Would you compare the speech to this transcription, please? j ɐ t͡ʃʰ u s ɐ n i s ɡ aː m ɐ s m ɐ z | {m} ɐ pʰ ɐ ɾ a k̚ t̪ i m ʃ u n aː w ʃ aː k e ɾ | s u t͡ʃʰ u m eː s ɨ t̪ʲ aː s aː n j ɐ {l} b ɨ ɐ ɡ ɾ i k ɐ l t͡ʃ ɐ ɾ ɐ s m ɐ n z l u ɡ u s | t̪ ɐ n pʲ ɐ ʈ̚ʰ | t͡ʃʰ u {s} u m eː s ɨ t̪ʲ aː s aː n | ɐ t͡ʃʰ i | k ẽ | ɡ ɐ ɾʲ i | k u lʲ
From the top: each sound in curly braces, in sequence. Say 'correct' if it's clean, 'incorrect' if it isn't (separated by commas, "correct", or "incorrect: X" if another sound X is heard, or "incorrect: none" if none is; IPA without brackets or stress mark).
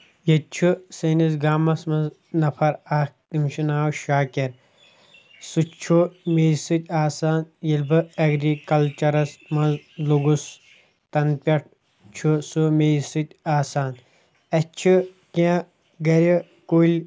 incorrect: n, correct, correct